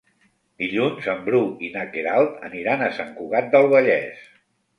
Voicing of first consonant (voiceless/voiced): voiced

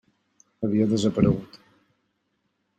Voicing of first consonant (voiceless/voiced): voiced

